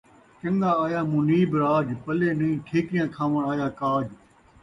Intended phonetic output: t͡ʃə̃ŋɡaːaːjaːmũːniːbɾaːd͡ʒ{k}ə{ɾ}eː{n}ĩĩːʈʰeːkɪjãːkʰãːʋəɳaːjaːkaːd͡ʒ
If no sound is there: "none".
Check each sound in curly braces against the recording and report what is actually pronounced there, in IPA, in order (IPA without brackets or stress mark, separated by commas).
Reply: p, l, n